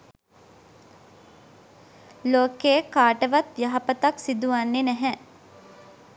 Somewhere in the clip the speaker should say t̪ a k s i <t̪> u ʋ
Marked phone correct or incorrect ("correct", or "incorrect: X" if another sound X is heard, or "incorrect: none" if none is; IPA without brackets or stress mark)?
incorrect: d̪